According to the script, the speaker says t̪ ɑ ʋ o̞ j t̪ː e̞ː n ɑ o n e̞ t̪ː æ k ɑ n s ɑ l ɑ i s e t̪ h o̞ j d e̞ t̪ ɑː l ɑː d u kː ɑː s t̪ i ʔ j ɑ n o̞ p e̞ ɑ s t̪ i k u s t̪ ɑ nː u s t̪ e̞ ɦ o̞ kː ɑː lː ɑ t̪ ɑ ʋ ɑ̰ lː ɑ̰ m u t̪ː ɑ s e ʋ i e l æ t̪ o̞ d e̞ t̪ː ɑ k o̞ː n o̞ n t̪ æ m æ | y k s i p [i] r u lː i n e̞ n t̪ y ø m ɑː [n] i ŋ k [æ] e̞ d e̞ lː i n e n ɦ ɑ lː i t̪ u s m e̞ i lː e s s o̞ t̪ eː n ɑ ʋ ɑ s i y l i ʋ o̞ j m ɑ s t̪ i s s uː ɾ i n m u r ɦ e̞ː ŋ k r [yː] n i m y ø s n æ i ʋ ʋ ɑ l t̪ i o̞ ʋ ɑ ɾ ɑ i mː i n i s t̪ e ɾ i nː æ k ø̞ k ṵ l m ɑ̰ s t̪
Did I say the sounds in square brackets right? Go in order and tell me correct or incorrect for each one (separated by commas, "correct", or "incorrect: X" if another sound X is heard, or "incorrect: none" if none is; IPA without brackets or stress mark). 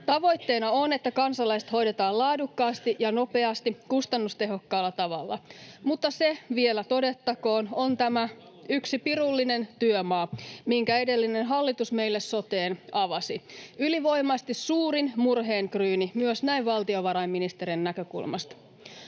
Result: correct, incorrect: m, correct, correct